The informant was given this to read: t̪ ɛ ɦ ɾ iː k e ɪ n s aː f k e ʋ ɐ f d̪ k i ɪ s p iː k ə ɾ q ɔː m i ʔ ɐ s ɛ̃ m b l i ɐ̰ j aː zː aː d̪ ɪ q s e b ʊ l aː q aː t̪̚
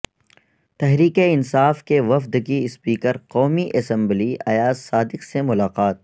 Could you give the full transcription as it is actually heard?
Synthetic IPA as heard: t̪ ɛ ɦ ɾ iː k e ɪ n s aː f k e ʋ ɐ f d̪ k i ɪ s p iː k ə ɾ q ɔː m i ʔ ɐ s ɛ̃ m b l i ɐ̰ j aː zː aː d̪ ɪ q s e m ʊ l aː q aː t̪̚